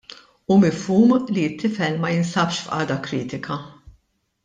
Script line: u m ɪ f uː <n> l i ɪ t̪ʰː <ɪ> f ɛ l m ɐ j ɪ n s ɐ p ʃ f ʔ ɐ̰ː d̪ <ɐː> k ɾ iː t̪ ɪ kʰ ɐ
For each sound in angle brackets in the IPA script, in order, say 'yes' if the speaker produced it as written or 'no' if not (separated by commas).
no, yes, no